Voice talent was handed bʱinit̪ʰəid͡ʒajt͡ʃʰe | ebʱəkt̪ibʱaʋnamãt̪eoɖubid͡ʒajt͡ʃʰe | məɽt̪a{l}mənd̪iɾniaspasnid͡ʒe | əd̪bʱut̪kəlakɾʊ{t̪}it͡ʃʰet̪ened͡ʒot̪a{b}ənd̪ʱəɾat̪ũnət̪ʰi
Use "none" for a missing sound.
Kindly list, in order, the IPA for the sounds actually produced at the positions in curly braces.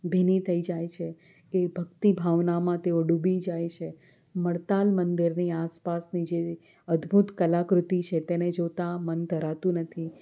l, t̪, m

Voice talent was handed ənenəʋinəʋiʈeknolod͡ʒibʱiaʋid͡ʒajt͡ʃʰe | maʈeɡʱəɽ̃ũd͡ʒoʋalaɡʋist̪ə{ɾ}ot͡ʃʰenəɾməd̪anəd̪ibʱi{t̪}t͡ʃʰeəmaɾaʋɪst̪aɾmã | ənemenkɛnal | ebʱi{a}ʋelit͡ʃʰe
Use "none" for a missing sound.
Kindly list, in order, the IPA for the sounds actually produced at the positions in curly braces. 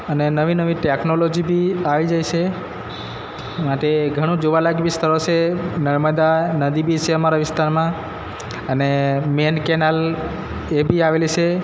ɾ, none, a

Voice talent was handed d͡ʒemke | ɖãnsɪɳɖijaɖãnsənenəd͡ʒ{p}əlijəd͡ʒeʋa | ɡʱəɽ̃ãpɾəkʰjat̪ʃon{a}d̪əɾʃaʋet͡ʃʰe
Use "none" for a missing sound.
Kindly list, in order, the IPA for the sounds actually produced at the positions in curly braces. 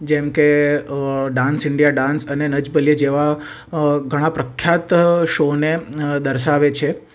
b, e

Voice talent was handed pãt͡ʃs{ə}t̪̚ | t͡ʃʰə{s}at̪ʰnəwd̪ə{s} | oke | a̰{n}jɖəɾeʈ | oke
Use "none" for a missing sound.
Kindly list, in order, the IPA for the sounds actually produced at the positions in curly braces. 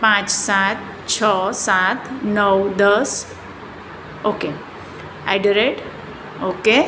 a, s, s, none

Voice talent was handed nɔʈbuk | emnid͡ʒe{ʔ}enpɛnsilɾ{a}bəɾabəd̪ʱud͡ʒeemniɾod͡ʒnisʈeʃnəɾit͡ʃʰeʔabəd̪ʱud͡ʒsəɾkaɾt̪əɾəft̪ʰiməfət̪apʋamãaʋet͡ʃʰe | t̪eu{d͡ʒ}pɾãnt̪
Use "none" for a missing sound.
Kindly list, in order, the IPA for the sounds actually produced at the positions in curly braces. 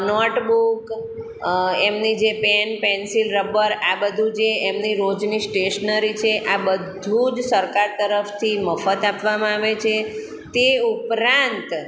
p, ə, none

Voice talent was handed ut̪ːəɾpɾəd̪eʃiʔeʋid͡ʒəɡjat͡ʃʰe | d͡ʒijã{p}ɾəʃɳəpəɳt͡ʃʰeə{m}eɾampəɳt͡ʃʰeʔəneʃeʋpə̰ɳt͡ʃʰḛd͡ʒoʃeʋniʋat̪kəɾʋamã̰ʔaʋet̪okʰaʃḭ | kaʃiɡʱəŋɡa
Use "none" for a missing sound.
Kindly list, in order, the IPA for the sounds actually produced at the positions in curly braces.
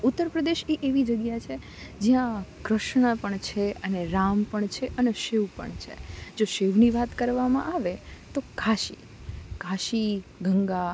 k, n

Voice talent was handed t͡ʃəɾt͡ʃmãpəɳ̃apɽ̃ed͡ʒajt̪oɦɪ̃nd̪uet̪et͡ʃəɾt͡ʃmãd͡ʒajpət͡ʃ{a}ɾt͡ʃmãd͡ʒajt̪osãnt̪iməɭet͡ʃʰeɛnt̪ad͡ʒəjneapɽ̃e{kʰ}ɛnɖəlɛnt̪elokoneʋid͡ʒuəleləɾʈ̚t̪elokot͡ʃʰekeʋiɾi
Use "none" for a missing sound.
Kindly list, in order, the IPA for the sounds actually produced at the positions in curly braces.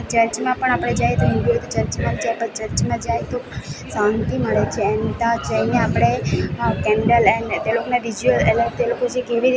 ə, k

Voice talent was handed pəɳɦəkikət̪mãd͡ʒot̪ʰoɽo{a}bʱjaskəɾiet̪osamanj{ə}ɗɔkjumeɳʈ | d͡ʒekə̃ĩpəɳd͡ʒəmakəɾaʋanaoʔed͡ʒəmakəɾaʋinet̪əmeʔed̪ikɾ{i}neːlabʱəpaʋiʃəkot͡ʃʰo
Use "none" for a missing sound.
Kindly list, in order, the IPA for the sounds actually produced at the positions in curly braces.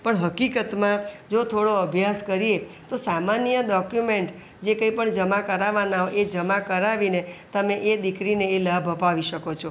ə, ə, i

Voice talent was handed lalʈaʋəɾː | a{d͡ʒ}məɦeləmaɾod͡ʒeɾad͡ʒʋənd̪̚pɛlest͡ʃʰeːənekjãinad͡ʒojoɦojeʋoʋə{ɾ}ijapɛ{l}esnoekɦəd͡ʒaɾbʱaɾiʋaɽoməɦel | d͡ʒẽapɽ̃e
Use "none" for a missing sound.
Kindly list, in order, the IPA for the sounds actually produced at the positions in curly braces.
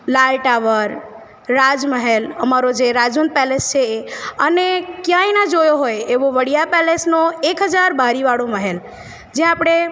d͡ʒ, ɽ, l

